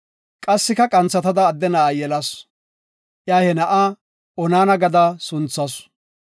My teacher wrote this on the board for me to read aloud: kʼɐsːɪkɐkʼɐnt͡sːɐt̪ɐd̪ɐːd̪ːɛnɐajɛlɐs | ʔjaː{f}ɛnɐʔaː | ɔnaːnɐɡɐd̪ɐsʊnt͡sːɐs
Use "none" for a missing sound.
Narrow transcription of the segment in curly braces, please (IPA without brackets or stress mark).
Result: h